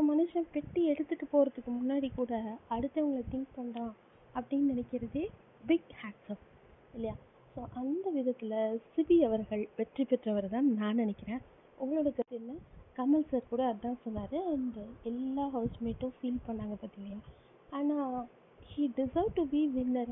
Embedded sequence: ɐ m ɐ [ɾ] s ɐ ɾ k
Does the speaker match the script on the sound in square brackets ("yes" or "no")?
no